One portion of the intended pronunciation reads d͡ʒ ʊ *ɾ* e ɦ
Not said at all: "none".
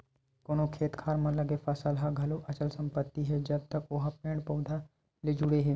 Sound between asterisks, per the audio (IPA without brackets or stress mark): ɽ